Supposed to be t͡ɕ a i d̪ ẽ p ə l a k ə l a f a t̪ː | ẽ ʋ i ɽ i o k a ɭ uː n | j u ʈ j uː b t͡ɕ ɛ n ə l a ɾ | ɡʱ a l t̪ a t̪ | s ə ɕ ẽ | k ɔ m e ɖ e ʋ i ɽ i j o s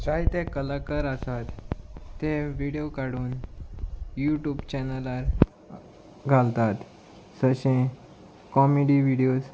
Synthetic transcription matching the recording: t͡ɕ a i t̪ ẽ k ə l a k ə ɾ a s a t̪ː | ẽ ʋ i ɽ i o k a ɽ uː n | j u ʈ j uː b t͡ɕ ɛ n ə l a ɾ | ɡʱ a l t̪ a t̪ | s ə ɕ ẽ | k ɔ m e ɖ i ʋ i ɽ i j o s